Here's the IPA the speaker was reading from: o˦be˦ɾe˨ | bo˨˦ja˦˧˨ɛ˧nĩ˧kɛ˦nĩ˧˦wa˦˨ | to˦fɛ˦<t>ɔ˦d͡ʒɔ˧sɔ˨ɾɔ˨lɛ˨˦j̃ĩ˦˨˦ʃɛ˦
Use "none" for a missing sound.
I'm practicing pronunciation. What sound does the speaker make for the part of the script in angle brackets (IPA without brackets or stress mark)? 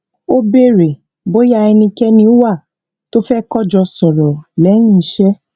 k